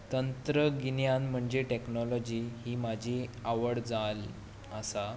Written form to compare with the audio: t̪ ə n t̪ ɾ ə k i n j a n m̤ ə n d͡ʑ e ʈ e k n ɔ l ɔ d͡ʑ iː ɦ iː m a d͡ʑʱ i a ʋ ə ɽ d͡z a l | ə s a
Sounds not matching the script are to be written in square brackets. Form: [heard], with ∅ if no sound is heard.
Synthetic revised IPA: t̪ ə n t̪ ɾ ə [ɡ] i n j a n m̤ ə [ɳ] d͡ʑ e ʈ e k n ɔ l ɔ d͡ʑ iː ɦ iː m a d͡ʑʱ i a ʋ ə ɽ d͡z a l | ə s a